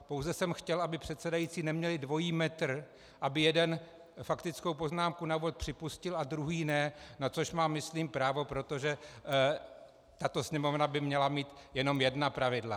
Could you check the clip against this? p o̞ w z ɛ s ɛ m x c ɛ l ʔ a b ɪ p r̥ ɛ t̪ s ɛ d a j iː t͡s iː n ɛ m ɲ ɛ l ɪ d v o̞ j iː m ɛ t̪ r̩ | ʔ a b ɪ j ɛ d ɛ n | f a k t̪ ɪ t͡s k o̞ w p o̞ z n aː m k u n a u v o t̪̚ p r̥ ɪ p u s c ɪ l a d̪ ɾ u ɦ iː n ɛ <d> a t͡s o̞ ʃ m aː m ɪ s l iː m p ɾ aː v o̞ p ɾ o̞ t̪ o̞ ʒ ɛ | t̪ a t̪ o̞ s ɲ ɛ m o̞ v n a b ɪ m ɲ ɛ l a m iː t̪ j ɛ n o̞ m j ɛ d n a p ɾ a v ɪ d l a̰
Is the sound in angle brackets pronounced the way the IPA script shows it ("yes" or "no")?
no